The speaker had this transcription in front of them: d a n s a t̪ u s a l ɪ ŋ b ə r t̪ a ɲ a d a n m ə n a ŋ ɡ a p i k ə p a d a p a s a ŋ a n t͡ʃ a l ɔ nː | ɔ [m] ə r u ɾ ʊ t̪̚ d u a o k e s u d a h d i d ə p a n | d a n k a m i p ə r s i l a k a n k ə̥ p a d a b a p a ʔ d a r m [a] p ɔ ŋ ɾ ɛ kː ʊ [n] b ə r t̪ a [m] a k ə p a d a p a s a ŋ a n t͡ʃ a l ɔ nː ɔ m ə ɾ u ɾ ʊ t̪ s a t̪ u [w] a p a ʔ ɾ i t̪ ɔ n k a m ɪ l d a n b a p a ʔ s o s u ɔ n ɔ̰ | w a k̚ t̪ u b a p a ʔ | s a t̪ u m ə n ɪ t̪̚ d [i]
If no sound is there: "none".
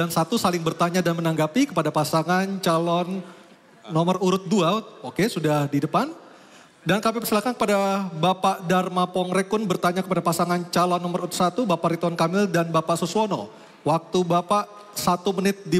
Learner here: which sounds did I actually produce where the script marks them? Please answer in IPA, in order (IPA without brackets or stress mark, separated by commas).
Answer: m, a, n, ɲ, b, i